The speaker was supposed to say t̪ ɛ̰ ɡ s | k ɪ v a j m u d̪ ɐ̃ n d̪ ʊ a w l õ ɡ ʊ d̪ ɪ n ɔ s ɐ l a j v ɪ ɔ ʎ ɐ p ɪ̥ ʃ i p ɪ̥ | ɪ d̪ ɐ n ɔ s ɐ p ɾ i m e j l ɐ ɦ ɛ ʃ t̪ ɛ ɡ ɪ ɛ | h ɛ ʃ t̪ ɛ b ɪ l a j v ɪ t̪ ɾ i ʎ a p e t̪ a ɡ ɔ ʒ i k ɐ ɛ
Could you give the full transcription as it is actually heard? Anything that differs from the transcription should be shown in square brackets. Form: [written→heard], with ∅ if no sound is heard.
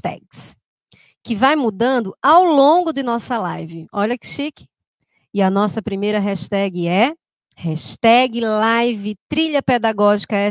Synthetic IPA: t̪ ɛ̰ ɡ s | k ɪ v a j m u d̪ ɐ̃ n d̪ ʊ a w l õ ɡ ʊ d̪ ɪ n ɔ s ɐ l a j v ɪ ɔ ʎ ɐ [p→k] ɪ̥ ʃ i [p→k] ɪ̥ | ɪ [d̪→∅] ɐ n ɔ s ɐ p ɾ i m e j [l→ɾ] ɐ ɦ ɛ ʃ t̪ ɛ ɡ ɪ ɛ | h ɛ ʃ t̪ ɛ [b→ɡ] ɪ l a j v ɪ t̪ ɾ i ʎ [a→ɐ] p e [t̪→d̪] a ɡ ɔ ʒ i k ɐ ɛ